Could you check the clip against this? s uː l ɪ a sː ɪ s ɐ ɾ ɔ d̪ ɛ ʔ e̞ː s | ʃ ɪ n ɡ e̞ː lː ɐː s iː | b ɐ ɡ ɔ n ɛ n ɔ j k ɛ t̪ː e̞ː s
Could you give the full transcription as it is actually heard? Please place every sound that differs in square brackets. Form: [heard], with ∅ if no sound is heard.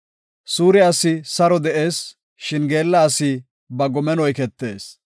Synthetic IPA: s uː [ɾ] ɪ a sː ɪ s ɐ ɾ ɔ d̪ ɛ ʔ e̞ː s | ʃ ɪ n ɡ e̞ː lː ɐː s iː | b ɐ ɡ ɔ [m] ɛ n ɔ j k ɛ t̪ː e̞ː s

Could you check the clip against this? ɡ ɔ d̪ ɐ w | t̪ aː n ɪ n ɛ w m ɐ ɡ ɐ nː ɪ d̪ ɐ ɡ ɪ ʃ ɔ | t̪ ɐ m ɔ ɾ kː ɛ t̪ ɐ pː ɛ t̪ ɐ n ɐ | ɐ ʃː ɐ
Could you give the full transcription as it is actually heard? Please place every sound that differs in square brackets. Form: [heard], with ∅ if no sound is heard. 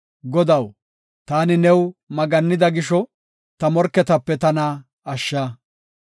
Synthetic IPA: ɡ ɔ d̪ ɐ w | t̪ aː n ɪ n ɛ w m ɐ ɡ ɐ nː ɪ d̪ ɐ ɡ ɪ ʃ ɔ | t̪ ɐ m ɔ ɾ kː ɛ t̪ ɐ pː ɛ t̪ ɐ n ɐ | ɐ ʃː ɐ

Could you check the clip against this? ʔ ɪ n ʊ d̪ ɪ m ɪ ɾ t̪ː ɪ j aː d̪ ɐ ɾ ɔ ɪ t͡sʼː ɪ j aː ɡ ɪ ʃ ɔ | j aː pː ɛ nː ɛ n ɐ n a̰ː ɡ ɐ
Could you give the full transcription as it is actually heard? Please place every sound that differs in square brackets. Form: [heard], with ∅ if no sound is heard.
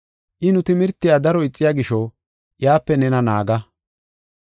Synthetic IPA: ʔ ɪ n ʊ [t̪] ɪ m ɪ ɾ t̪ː ɪ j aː d̪ ɐ ɾ ɔ ɪ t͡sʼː ɪ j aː ɡ ɪ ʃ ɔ | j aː pː ɛ [n] ɛ n ɐ n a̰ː ɡ ɐ

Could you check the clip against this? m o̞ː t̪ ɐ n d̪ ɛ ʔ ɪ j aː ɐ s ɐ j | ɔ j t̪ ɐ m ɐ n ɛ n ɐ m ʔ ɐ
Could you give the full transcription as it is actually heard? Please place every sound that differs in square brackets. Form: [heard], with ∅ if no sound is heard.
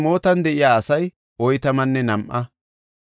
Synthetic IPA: m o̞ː t̪ ɐ n d̪ ɛ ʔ ɪ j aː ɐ s ɐ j | ɔ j t̪ ɐ m ɐ [nː] ɛ n ɐ m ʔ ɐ

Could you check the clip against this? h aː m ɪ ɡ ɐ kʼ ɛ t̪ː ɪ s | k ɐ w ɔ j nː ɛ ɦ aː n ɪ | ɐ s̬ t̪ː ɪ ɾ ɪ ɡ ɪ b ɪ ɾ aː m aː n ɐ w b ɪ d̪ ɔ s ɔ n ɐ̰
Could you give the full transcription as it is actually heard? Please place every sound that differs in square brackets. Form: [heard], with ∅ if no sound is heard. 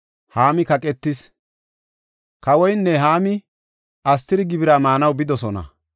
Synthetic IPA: h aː m ɪ [k] ɐ kʼ ɛ t̪ː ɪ s | k ɐ w ɔ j nː ɛ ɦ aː [m] ɪ | ɐ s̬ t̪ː ɪ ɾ ɪ ɡ ɪ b ɪ ɾ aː m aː n ɐ w b ɪ d̪ ɔ s ɔ n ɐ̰

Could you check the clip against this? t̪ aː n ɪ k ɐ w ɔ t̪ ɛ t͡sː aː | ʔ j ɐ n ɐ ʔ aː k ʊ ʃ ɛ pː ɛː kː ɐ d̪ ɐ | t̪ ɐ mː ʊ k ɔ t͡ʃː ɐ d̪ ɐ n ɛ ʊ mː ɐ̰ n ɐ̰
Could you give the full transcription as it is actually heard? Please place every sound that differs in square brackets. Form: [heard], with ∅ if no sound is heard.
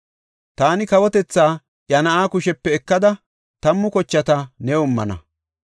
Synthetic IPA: t̪ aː n ɪ k ɐ w ɔ t̪ ɛ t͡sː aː | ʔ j ɐ n ɐ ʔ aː k ʊ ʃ ɛ pː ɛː kː ɐ d̪ ɐ | t̪ ɐ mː ʊ k ɔ t͡ʃː ɐ [t̪] ɐ n ɛ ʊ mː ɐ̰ n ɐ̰

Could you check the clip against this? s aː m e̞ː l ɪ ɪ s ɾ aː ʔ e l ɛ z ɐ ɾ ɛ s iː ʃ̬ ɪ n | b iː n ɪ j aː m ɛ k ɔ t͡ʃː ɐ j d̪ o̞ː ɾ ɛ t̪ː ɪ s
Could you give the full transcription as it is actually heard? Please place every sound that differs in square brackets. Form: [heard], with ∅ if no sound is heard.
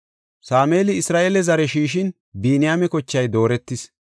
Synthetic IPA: s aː m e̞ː l ɪ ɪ s ɾ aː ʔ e l ɛ z ɐ ɾ ɛ [ʃ] iː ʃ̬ ɪ n | b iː n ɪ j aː m ɛ k ɔ t͡ʃː ɐ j d̪ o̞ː ɾ ɛ t̪ː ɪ s

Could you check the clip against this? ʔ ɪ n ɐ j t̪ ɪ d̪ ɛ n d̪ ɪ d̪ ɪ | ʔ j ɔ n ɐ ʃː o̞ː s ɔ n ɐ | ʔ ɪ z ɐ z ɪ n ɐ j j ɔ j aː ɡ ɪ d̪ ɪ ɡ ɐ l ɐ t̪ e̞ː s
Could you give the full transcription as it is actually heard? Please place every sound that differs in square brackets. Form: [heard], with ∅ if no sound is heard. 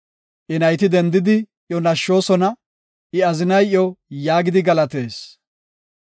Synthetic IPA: ʔ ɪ n ɐ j t̪ ɪ d̪ ɛ n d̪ ɪ d̪ ɪ | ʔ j ɔ n ɐ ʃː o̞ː s ɔ n ɐ | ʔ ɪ [∅] ɐ z ɪ n ɐ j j ɔ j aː ɡ ɪ d̪ ɪ ɡ ɐ l ɐ t̪ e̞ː s

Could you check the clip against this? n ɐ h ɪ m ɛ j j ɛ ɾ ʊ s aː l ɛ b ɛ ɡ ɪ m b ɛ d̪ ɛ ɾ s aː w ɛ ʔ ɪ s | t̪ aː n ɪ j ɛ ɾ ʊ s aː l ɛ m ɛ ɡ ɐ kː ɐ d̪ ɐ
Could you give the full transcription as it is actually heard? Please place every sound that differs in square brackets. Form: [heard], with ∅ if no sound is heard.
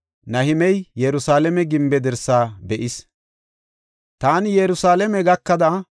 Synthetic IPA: n ɐ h ɪ m ɛ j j ɛ ɾ ʊ s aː l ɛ [m] ɛ ɡ ɪ m b ɛ d̪ ɛ ɾ s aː [b] ɛ ʔ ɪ s | t̪ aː n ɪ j ɛ ɾ ʊ s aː l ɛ m ɛ ɡ ɐ kː ɐ d̪ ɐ

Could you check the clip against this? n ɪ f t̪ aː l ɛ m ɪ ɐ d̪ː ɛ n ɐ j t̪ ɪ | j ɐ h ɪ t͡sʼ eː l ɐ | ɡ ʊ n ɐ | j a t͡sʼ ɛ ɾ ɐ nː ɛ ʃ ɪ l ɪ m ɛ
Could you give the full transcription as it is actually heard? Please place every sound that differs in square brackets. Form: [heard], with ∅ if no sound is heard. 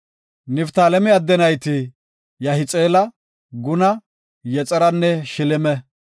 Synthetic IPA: n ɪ f t̪ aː l ɛ m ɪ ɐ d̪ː ɛ n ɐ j t̪ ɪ | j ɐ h ɪ t͡sʼ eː l ɐ | ɡ ʊ n ɐ | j [ɛ] t͡sʼ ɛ ɾ ɐ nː ɛ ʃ ɪ l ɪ m ɛ

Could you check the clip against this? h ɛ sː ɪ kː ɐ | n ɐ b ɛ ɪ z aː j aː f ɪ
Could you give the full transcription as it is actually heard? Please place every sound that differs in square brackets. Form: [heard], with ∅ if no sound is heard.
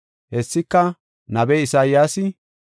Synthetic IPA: h ɛ sː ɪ kː ɐ | n ɐ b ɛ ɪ [s] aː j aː [s] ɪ

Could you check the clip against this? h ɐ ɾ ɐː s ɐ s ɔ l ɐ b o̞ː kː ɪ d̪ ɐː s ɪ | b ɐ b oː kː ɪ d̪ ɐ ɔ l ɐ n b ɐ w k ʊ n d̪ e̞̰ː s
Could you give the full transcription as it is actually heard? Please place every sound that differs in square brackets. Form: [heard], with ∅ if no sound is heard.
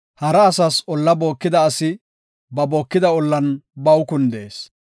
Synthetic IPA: h ɐ ɾ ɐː s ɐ s ɔ [lː] ɐ b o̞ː kː ɪ d̪ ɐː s ɪ | b ɐ b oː kː ɪ d̪ ɐ ɔ [lː] ɐ n b ɐ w k ʊ n d̪ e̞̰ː s

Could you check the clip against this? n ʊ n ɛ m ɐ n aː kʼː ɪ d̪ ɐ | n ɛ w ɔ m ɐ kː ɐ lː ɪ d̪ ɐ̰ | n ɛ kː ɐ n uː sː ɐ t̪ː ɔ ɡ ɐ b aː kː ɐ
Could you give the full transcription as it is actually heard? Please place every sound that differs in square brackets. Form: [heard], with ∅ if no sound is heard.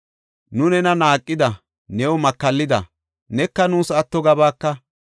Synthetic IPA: n ʊ n ɛ [n] ɐ n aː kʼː ɪ d̪ ɐ | n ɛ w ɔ m ɐ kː ɐ lː ɪ d̪ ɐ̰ | n ɛ kː ɐ n uː [s] ɐ t̪ː ɔ ɡ ɐ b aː kː ɐ

